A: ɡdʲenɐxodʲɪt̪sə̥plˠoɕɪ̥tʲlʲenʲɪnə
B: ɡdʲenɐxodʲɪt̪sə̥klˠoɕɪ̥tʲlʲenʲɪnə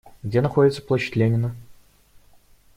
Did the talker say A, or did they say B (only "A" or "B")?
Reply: A